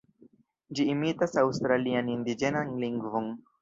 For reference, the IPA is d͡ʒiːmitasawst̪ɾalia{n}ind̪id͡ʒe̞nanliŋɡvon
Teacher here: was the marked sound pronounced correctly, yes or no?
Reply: yes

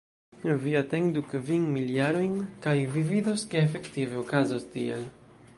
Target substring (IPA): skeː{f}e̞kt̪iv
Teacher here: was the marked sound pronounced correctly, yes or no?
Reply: yes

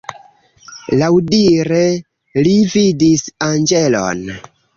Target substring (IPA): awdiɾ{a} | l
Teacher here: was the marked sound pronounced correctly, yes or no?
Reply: no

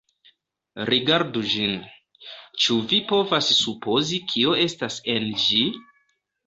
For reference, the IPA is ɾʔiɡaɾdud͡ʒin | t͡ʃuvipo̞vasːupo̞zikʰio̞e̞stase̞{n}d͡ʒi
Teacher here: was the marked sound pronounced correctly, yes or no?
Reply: yes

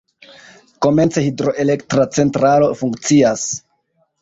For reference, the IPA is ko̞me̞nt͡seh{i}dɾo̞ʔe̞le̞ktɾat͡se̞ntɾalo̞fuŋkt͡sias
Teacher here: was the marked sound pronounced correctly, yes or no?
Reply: yes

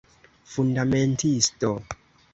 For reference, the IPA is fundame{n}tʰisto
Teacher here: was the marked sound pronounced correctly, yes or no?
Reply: yes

